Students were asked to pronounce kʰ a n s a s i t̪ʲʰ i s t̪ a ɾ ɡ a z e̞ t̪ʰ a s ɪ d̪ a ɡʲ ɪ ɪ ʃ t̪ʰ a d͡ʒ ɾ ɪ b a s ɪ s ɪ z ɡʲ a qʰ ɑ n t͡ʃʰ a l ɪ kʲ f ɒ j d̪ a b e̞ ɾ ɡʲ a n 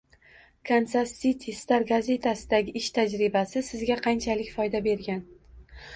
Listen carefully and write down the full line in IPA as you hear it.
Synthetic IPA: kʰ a n s a s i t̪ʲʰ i s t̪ a ɾ ɡ a z e̞ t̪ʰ a s ɪ d̪ a ɡʲ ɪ ɪ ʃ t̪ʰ a d͡ʒ ɾ ɪ b a s ɪ s ɪ z ɡʲ a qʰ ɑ n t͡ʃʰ a l ɪ kʲ f ɒ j d̪ a b e̞ ɾ ɡʲ a n